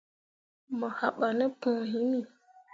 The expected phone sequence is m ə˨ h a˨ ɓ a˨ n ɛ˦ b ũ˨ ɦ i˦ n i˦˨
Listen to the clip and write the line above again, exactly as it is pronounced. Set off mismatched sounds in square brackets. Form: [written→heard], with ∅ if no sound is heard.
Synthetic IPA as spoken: m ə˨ h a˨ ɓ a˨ n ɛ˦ [b→p] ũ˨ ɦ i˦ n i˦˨